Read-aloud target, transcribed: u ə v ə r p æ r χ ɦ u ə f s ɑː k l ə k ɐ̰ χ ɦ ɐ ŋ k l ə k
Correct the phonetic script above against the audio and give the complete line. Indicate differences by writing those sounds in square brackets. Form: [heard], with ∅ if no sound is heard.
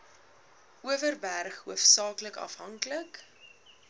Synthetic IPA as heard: u ə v ə r [b] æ r χ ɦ u ə f s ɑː k l ə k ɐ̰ [f] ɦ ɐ ŋ k l ə k